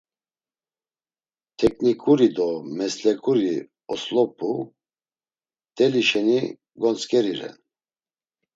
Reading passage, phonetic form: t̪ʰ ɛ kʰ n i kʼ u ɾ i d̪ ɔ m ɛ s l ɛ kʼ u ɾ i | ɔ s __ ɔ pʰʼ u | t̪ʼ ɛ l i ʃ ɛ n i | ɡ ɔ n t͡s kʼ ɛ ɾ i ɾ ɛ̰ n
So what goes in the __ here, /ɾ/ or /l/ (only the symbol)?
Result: l